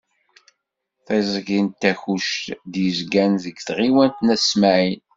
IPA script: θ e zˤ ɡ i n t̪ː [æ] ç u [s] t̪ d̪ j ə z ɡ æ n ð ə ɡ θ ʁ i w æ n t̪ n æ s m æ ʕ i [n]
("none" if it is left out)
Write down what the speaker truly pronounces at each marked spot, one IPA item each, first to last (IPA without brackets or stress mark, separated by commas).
æ, ʃ, n